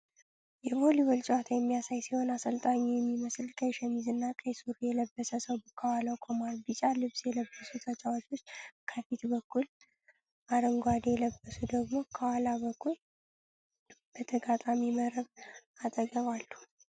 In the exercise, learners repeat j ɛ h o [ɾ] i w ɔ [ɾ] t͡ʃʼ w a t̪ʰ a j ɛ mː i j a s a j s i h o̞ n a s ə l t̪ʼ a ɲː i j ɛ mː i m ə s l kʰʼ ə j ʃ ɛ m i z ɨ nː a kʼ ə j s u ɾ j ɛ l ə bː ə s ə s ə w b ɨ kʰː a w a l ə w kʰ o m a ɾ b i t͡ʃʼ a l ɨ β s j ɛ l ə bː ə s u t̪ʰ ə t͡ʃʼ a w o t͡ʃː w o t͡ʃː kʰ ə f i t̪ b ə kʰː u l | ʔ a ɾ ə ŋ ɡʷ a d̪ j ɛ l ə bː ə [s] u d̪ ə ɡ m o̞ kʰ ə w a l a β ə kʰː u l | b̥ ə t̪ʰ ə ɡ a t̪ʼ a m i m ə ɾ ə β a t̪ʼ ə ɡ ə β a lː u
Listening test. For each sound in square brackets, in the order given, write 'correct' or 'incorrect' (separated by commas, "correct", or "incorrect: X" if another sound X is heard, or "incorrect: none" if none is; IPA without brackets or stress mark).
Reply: incorrect: l, incorrect: l, correct